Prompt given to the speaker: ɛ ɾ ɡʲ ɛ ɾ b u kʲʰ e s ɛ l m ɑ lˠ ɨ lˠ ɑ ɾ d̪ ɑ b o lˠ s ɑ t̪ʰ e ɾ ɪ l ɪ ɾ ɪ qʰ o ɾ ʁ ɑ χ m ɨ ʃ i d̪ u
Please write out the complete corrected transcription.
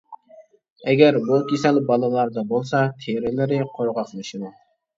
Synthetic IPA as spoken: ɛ ɡʲ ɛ ɾ b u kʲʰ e s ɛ l b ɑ lˠ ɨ lˠ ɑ ɾ d̪ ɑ b o lˠ s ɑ t̪ʰ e ɾ ɪ l ɪ ɾ ɪ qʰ o ɾ ʁ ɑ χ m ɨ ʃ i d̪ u